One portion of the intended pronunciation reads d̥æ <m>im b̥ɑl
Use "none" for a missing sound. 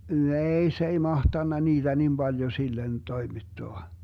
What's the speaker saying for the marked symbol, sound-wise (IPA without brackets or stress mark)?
n